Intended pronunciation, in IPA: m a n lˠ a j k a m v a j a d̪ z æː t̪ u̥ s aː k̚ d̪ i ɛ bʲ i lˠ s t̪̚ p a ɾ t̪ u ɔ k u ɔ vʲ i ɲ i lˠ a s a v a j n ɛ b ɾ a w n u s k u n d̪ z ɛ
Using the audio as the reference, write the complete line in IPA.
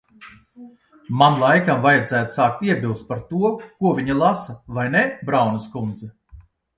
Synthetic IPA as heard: m a n lˠ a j k a m v a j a d̪ z æː t̪ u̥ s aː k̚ t̪ i ɛ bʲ i lˠ s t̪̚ p a ɾ t̪ u ɔ k u ɔ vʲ i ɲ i lˠ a s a v a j n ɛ b ɾ a w n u s k u n d̪ z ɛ